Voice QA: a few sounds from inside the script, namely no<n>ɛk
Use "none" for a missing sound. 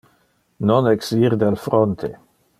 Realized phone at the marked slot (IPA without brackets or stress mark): n